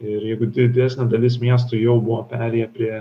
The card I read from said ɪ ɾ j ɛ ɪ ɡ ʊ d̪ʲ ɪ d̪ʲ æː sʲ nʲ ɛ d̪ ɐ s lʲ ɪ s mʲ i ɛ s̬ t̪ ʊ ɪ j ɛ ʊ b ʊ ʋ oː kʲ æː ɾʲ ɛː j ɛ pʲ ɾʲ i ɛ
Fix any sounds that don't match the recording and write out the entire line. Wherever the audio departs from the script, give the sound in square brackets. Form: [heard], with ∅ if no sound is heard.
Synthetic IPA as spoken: ɪ ɾ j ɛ ɪ ɡ ʊ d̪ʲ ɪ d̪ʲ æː sʲ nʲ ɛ d̪ ɐ [∅] lʲ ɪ s mʲ i ɛ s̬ t̪ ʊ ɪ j ɛ ʊ b ʊ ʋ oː [pʲ] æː ɾʲ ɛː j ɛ pʲ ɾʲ i ɛ